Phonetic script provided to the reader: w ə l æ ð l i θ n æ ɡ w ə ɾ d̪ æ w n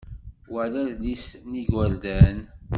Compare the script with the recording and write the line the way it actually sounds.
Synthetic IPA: w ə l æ ð l i s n i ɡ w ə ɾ d̪ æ n